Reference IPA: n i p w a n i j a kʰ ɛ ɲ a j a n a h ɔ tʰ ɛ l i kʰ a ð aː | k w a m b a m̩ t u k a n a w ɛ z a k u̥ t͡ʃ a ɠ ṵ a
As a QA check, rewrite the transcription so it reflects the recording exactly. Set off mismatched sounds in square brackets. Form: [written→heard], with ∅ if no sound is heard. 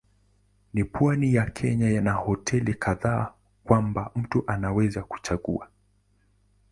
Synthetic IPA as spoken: n i p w a n i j a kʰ ɛ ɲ a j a n a h ɔ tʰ ɛ l i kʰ a ð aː | k w a m b a m̩ t u [k→ʔ] a n a w ɛ z a k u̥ t͡ʃ a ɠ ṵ a

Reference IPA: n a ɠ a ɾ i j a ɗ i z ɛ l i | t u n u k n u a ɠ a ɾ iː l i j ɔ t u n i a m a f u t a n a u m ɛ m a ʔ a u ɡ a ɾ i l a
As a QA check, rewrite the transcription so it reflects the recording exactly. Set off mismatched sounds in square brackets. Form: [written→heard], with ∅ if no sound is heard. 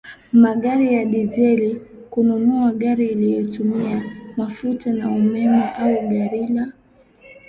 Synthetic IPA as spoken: [n→m] a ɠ a ɾ i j a ɗ i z ɛ l i | [t→k] u n u [k→∅] n u a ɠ a ɾ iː l i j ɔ t u [n→m] i a m a f u t a n a u m ɛ m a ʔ a u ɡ a ɾ i l a

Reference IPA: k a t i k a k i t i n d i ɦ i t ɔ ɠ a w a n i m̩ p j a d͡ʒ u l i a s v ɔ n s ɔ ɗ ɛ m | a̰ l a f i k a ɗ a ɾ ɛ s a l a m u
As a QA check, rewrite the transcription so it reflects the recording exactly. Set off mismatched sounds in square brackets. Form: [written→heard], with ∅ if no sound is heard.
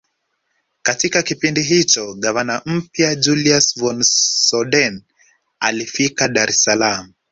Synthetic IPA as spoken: k a t i k a k i [t→p] i n d i ɦ i [t→t͡ʃ] ɔ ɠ a [w→v] a n [i→a] m̩ p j a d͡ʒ u l i a s v ɔ n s ɔ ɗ ɛ [m→n] | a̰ l [a→i] f i k a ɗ a ɾ ɛ s a l a m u

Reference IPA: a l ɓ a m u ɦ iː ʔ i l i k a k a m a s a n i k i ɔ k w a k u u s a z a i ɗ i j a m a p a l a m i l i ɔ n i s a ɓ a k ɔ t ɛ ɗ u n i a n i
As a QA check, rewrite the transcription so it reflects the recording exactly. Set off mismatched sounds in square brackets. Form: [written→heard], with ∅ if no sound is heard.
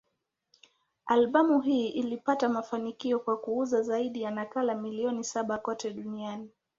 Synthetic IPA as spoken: a l ɓ a m u ɦ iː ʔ i l i [k→p] a [k→t] a m a [s→f] a n i k i ɔ k w a k u u [s→z] a z a i ɗ i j a [m→n] a [p→k] a l a m i l i ɔ n i s a ɓ a k ɔ t ɛ ɗ u n i a n i

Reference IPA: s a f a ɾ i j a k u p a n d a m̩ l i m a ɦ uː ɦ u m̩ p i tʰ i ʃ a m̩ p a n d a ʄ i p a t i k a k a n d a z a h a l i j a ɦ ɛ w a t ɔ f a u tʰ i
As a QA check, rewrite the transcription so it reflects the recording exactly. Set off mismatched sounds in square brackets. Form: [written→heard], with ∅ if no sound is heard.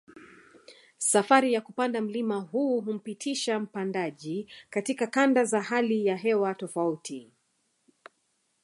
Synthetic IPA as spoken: s a f a ɾ i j a k u p a n d a m̩ l i m a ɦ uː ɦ u m̩ p i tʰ i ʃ a m̩ p a n d a ʄ i [p→k] a t i k a k a n d a z a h a l i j a ɦ ɛ w a t ɔ f a u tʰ i

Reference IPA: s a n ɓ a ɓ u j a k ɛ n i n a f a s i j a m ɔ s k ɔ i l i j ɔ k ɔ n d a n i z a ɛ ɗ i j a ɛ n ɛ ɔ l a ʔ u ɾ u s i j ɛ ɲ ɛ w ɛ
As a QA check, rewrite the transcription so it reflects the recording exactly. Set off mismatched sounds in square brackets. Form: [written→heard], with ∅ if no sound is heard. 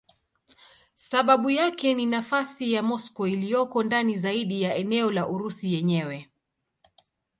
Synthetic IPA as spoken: s a [n→∅] ɓ a ɓ u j a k ɛ n i n a f a s i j a m ɔ s k ɔ i l i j ɔ k ɔ n d a n i z a [ɛ→i] ɗ i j a ɛ n ɛ ɔ l a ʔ u ɾ u s i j ɛ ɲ ɛ w ɛ

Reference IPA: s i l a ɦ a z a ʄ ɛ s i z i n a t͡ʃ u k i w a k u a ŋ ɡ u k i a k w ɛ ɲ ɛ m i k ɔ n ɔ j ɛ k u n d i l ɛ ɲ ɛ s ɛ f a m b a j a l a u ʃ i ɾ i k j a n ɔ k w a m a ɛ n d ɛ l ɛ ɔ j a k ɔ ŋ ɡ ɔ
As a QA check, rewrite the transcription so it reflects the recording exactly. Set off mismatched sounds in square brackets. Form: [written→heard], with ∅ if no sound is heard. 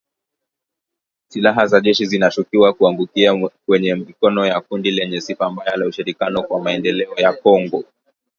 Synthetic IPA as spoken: s i l a ɦ a z a ʄ ɛ [s→ʃ] i z i n a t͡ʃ u k i w a k u a ŋ ɡ u k i a k w ɛ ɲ ɛ m i k ɔ n ɔ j [ɛ→a] k u n d i l ɛ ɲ ɛ s [ɛ→i] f a m b a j a l a u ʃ i ɾ i k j a n ɔ k w a m a ɛ n d ɛ l ɛ ɔ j a k ɔ ŋ ɡ ɔ

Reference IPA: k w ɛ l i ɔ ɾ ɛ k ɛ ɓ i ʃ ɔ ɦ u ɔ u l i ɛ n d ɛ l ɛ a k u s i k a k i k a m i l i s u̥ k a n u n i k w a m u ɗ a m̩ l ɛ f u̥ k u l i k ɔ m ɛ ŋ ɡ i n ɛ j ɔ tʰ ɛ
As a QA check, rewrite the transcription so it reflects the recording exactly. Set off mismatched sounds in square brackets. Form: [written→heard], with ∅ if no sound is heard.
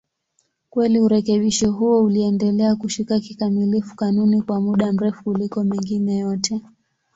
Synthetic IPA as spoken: k w ɛ l i [ɔ→u] ɾ ɛ k ɛ ɓ i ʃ ɔ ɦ u ɔ u l i ɛ n d ɛ l ɛ a k u [s→ʃ] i k a k i k a m i l i [s→f] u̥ k a n u n i k w a m u ɗ a m̩ [l→ɾ] ɛ f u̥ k u l i k ɔ m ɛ ŋ ɡ i n ɛ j ɔ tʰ ɛ

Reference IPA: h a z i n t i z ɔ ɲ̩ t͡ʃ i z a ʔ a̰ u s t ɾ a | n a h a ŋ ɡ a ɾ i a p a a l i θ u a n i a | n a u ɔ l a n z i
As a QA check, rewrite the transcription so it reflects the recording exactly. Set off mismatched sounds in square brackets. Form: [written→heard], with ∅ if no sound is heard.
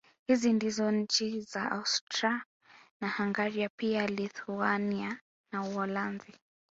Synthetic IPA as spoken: h [a→i] z i n [t→d] i z ɔ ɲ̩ t͡ʃ i z a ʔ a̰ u s t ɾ a | n a h a ŋ ɡ a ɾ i a p [a→i] a l i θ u a n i a | n a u ɔ l a n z i

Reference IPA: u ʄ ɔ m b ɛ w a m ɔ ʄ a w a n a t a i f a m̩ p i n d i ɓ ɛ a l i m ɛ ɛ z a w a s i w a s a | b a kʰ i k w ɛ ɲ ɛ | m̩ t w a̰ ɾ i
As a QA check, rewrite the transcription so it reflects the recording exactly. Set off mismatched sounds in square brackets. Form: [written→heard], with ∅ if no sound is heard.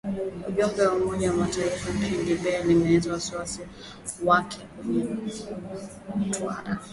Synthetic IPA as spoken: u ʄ ɔ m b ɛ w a m ɔ ʄ a w a [n→m] a t a i f a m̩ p i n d i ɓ ɛ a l i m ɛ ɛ z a w a s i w a s [a→i] | [b→w] a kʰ [i→ɛ] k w ɛ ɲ ɛ | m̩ t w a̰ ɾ [i→a]

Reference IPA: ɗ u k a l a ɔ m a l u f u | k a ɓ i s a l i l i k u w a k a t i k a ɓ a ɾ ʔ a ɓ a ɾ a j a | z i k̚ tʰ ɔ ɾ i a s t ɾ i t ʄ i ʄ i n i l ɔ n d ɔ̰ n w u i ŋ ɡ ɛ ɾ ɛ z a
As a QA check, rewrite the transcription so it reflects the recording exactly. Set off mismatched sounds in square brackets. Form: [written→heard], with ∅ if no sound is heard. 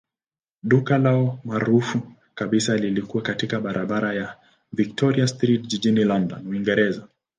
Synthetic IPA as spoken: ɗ u k a l a ɔ m a [l→ɾ] u f u | k a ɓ i s a l i l i k u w a k a t i k a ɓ a ɾ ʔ a ɓ a ɾ a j a | [z→v] i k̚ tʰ ɔ ɾ i a s t ɾ i t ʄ i ʄ i n i l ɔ n d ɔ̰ n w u i ŋ ɡ ɛ ɾ ɛ z a

